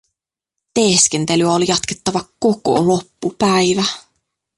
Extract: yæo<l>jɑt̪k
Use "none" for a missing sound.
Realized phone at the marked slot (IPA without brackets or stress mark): l